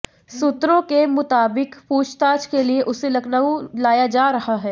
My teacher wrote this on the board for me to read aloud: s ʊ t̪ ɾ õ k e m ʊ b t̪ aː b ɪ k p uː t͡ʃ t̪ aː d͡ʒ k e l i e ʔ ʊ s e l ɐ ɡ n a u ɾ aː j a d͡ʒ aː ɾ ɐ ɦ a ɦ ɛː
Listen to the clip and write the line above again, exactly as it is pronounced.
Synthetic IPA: s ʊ t̪ ɾ õ k e m ʊ t̪ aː b ɪ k p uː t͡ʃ t̪ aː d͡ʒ k e l i e ʔ ʊ s e l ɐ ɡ n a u l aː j a d͡ʒ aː ɾ ɐ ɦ a ɦ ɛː

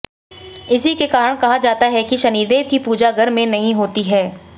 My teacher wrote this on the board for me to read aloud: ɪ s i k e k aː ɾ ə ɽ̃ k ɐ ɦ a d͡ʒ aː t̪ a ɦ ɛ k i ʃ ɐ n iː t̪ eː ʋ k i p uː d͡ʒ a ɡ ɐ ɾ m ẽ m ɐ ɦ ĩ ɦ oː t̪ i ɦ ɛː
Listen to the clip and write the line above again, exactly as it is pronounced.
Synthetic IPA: ɪ s i k e k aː ɾ ə ɽ̃ k ɐ ɦ a d͡ʒ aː t̪ a ɦ ɛ k i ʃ ɐ n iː d̪ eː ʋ k i p uː d͡ʒ a ɡ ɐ ɾ m ẽ n ɐ ɦ ĩ ɦ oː t̪ i ɦ ɛː

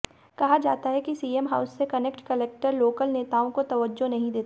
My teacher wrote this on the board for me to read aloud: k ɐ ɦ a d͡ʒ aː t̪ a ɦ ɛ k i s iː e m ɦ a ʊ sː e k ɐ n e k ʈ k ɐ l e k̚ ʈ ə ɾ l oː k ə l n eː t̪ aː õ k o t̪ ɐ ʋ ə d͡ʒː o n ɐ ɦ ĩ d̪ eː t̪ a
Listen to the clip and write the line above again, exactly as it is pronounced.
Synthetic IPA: k ɐ ɦ a d͡ʒ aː t̪ a ɦ ɛ k i s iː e m ɦ a ʊ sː e k ɐ n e k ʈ k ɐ l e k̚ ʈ ə ɾ l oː k ə l n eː t̪ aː õ k o t̪ ɐ ʋ ə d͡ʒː o n ɐ ɦ ĩ d̪ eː t̪ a

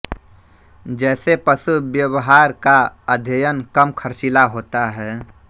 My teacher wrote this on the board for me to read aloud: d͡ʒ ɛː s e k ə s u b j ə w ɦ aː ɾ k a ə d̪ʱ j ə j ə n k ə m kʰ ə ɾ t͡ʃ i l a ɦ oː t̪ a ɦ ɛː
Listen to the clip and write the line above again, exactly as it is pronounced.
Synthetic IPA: d͡ʒ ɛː s e p ə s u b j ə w ɦ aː ɾ k a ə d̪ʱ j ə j ə n k ə m kʰ ə ɾ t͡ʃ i l a ɦ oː t̪ a ɦ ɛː

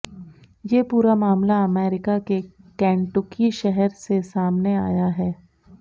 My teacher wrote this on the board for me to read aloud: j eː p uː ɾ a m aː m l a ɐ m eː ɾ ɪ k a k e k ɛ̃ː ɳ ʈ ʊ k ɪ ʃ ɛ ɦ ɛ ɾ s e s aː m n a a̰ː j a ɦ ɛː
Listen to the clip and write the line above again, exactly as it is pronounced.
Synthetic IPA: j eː p uː ɾ a m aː m l a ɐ m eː ɾ ɪ k a k e k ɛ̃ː ɳ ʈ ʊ k i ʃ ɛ ɦ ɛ ɾ s e s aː m n e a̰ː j a ɦ ɛː

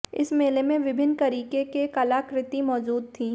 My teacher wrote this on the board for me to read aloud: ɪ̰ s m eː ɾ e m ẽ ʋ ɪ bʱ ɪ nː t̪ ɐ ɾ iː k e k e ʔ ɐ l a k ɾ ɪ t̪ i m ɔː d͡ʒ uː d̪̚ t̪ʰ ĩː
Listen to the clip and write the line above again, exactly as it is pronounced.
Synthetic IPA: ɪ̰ s m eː l e m ẽ ʋ ɪ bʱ ɪ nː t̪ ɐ ɾ iː k e k e k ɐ l a k ɾ ɪ t̪ i m ɔː d͡ʒ uː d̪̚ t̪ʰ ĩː

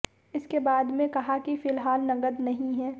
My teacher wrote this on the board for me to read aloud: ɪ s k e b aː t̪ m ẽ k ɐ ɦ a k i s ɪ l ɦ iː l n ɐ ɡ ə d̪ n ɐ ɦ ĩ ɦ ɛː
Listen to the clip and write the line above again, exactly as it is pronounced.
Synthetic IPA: ɪ s k e b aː d̪ m ẽ k ɐ ɦ a k i f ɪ l ɦ aː l n ɐ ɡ ə d̪ n ɐ ɦ ĩ ɦ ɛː

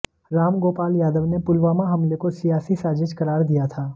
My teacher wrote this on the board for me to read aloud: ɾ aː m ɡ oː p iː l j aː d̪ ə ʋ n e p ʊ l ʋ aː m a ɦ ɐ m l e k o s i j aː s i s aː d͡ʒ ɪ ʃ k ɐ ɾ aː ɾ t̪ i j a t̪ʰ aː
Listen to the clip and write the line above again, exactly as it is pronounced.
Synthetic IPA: ɾ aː m ɡ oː p aː l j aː d̪ ə ʋ n e p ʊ l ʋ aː m a ɦ ɐ m l e k o s i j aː s i s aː d͡ʒ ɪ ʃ k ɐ ɾ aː ɾ d̪ i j a t̪ʰ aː

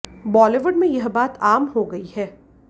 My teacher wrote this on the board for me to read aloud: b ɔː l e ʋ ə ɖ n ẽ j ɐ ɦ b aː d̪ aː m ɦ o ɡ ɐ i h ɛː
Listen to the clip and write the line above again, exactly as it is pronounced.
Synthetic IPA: b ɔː l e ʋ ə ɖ m ẽ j ɐ ɦ b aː t̪ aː m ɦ o ɡ ɐ i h ɛː

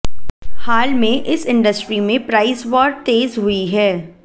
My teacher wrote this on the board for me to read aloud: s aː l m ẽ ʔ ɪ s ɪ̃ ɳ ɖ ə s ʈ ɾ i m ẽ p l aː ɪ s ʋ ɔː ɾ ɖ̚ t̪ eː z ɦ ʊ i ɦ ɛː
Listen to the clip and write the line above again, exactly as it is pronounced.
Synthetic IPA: h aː l m ẽ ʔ ɪ s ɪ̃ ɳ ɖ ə s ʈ ɾ i m ẽ p ɾ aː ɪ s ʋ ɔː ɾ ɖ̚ t̪ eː z ɦ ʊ i ɦ ɛː

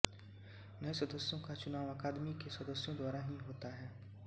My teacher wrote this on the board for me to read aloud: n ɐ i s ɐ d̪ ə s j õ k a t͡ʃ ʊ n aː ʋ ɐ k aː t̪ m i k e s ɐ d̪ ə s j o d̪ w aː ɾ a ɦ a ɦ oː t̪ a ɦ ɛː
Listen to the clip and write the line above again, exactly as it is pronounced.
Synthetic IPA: n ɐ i s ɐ d̪ ə s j õ k a t͡ʃ ʊ n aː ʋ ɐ k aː d̪ m i k e s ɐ d̪ ə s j õ d̪ w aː ɾ a ɦ i ɦ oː t̪ a ɦ ɛː

